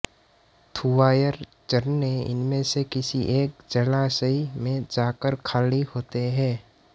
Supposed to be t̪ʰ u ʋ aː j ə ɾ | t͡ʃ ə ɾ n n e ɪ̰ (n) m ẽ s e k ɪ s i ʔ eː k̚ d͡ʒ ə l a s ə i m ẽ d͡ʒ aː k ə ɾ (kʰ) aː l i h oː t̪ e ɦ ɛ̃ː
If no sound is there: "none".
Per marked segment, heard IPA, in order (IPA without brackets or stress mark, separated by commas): n, kʰ